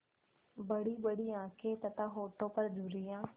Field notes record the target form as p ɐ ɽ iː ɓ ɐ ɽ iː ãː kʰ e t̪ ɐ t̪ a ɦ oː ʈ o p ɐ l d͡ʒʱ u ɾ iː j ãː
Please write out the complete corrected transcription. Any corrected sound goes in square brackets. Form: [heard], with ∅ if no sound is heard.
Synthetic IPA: [b] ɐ ɽ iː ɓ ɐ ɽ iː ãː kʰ e t̪ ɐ t̪ a ɦ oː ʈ o p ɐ [ɾ] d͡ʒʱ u ɾ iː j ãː